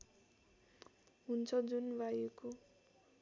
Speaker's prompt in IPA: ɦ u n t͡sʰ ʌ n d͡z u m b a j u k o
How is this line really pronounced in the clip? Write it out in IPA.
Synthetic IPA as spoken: ɦ u n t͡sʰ ʌ d͡z u n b a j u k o